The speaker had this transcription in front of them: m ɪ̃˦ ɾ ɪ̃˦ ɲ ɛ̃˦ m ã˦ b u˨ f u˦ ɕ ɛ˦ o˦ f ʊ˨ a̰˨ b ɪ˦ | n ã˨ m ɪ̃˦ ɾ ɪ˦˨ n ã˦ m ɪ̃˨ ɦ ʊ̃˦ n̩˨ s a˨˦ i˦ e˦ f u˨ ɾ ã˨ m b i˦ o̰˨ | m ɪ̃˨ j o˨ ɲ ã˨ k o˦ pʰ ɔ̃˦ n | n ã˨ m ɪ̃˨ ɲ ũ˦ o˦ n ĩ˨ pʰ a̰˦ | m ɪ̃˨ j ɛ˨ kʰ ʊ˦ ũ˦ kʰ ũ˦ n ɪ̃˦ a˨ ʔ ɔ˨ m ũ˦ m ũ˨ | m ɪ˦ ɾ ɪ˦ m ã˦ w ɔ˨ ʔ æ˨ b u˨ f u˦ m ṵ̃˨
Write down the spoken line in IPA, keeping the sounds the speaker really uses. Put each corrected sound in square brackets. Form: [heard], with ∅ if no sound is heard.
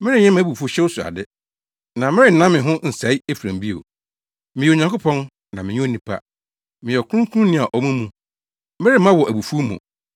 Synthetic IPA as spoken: m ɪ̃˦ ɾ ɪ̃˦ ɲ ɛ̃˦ m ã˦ b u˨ f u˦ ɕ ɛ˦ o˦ [s] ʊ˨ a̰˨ [d] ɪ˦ | n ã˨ m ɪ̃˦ ɾ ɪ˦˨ n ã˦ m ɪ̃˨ ɦ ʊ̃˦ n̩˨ s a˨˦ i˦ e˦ f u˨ ɾ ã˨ m b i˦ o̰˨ | m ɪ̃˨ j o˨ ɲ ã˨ k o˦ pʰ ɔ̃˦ n | n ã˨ m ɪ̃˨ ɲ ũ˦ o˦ n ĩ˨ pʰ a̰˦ | m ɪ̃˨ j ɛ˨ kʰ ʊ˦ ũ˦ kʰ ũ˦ n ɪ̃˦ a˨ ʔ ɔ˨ m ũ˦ m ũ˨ | m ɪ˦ ɾ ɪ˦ m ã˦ w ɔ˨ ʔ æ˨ b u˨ f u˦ m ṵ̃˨